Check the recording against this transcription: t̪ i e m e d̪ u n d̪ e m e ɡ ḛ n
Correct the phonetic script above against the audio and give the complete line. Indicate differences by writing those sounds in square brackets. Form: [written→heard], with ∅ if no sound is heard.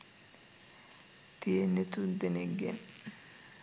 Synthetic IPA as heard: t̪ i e [m→n] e [d̪→t̪] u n d̪ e [m→n] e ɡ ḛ n